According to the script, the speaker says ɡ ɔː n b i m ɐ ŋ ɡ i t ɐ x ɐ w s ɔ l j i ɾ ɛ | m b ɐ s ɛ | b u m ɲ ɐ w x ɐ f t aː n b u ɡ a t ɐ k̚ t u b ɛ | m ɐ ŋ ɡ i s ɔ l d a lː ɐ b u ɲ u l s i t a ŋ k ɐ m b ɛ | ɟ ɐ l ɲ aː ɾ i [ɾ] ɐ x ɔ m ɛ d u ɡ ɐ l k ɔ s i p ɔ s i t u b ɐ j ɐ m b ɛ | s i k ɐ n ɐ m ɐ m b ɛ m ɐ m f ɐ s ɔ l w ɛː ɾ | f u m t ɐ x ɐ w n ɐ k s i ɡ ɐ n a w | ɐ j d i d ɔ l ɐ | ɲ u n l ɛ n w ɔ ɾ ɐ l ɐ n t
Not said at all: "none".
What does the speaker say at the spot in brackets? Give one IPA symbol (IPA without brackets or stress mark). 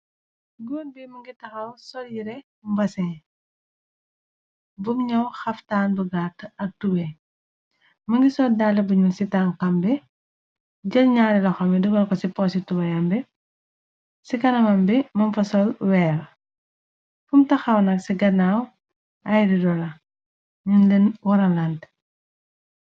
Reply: l